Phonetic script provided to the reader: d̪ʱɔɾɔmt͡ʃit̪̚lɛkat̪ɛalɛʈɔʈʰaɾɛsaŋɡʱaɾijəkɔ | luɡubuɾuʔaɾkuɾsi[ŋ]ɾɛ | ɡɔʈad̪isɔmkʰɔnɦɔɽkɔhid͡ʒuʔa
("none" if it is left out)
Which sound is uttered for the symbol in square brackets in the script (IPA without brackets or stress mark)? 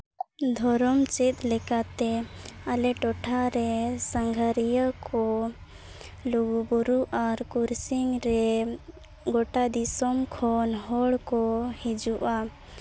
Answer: ŋ